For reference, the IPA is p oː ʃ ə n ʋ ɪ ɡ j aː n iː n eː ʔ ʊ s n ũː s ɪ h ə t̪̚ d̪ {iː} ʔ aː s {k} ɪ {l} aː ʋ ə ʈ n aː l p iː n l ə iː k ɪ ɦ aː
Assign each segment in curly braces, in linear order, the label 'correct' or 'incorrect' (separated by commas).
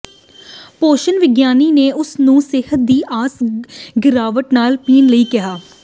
correct, incorrect, incorrect